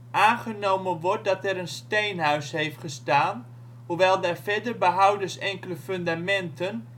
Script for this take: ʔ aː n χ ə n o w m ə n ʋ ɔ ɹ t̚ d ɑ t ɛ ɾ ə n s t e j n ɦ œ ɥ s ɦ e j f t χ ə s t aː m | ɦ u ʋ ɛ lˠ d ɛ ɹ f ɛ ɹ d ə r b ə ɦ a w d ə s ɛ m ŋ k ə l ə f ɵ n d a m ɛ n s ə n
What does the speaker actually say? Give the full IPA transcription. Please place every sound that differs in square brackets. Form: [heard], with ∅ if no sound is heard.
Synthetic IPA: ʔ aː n χ ə n o w m ə n ʋ ɔ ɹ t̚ d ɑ t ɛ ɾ ə n s t e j n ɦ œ ɥ s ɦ e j f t χ ə s t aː [n] | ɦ u ʋ ɛ lˠ d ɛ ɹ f ɛ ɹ d ə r b ə ɦ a w d ə s ɛ [∅] ŋ k ə l ə f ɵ n d a m ɛ n [t] ə n